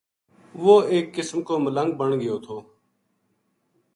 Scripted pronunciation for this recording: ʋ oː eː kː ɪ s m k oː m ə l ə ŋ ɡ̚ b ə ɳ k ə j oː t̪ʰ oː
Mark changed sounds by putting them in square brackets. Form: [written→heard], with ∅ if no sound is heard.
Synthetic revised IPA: ʋ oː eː kː ɪ s m k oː m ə l ə ŋ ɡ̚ b ə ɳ [k→ɡ] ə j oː t̪ʰ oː